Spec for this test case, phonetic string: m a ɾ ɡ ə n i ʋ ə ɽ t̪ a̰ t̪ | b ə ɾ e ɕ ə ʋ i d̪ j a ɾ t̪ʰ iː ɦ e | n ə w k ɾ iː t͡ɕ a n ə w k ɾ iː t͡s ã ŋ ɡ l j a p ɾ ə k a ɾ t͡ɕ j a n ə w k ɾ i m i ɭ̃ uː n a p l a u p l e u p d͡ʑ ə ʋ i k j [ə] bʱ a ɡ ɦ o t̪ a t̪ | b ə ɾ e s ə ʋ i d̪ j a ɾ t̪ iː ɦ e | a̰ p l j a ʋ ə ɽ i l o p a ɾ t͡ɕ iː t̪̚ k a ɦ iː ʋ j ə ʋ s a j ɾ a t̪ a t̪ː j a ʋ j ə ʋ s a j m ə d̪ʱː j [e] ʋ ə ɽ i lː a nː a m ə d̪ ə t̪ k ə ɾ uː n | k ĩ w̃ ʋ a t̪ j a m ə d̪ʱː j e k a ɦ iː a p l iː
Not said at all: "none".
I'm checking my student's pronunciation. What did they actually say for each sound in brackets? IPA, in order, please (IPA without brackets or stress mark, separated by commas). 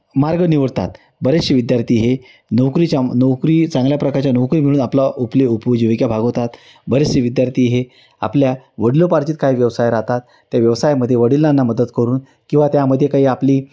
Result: a, e